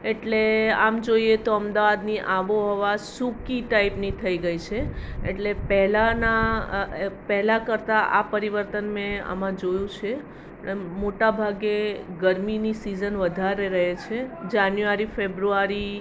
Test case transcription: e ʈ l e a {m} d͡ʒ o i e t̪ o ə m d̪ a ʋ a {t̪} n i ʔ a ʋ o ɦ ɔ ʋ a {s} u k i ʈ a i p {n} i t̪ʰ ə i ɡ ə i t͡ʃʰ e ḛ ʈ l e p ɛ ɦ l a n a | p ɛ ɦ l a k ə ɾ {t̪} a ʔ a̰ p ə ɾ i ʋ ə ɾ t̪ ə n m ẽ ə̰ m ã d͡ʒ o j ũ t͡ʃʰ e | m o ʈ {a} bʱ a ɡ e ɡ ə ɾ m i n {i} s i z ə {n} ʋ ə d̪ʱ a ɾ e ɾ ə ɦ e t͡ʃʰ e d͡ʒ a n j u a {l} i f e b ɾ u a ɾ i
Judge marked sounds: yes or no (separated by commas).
yes, no, yes, yes, yes, yes, yes, yes, no